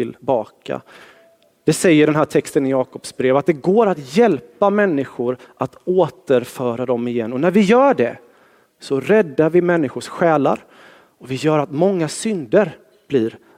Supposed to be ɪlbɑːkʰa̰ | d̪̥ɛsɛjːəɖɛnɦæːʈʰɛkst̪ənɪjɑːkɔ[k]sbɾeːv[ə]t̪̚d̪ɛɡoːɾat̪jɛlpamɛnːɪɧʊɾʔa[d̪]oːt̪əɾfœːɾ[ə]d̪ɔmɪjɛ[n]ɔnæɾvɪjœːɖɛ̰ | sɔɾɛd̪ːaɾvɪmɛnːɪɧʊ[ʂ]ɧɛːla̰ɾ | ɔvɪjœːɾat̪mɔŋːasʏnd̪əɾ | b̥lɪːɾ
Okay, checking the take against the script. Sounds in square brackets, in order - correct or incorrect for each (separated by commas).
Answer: incorrect, incorrect, incorrect, incorrect, incorrect, correct